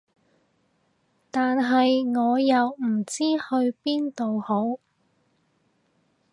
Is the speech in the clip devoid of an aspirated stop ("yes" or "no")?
yes